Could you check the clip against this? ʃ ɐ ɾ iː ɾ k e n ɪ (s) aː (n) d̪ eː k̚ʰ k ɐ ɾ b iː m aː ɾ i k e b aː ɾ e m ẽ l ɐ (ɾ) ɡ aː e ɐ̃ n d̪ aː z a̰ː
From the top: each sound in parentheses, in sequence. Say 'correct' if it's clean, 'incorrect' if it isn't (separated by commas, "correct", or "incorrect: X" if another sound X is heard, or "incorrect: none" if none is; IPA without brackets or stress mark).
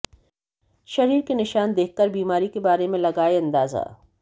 incorrect: ʃ, correct, incorrect: none